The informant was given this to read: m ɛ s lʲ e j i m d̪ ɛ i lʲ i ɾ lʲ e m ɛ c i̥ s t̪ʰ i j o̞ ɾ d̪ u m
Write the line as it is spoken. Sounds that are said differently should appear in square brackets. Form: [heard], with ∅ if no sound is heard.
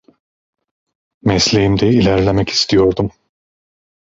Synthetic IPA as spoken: m ɛ s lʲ e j i m d̪ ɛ i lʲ [æ] ɾ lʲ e m ɛ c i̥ s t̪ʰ i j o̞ ɾ d̪ u m